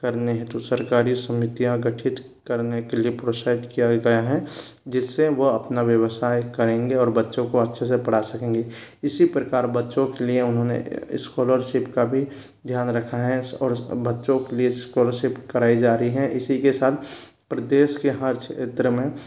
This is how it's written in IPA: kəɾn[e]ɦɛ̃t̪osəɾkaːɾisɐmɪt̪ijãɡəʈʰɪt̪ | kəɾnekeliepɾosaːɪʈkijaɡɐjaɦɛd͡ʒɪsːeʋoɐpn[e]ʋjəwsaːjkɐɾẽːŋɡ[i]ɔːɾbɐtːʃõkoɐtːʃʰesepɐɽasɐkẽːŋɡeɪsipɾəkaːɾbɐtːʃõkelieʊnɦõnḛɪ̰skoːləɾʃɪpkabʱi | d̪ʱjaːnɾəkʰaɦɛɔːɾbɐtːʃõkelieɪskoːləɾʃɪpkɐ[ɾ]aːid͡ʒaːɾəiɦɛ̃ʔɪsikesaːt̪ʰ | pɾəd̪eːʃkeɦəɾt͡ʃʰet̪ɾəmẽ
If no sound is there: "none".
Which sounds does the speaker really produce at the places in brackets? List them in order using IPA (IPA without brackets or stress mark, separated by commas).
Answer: e, a, e, ɾ